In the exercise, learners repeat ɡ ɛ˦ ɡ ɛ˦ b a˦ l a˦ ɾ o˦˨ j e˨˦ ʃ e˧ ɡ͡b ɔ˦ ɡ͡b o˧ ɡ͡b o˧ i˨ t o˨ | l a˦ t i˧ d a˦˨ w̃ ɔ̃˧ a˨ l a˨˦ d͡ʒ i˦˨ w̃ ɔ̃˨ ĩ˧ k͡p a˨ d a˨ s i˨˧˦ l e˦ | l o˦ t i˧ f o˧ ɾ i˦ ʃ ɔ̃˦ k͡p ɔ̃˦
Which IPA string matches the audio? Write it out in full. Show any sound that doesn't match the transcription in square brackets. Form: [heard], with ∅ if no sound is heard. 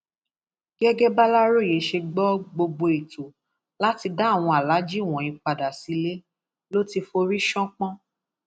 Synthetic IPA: ɡ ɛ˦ ɡ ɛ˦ b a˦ l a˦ ɾ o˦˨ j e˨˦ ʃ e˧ ɡ͡b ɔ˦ ɡ͡b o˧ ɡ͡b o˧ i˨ t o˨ | l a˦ t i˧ d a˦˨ w̃ ɔ̃˧ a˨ l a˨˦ d͡ʒ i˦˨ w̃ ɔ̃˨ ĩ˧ k͡p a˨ d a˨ s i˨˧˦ l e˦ | l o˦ t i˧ f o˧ ɾ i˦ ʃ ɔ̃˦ k͡p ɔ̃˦